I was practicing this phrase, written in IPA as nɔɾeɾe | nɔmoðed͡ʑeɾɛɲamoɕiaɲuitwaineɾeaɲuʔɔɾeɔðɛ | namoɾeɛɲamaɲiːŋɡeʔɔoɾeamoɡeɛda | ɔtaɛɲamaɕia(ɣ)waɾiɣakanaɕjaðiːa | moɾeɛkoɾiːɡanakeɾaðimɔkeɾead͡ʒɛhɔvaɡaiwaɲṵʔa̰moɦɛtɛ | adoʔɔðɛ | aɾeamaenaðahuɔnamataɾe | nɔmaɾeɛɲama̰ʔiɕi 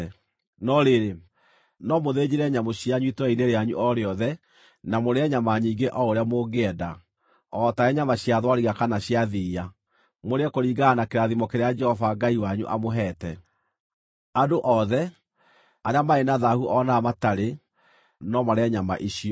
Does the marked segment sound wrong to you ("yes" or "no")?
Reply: yes